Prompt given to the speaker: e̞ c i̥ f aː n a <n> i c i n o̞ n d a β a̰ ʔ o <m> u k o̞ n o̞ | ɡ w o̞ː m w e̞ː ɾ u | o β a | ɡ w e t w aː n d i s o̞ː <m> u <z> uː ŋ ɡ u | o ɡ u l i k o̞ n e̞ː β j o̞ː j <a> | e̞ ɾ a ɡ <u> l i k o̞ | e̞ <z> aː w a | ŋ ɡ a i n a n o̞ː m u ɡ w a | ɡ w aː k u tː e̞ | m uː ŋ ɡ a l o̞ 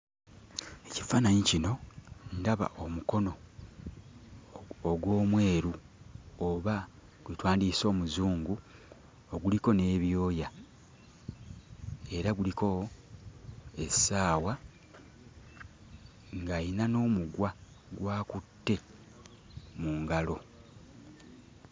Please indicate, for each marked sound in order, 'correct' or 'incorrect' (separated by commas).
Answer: incorrect, correct, correct, correct, correct, correct, incorrect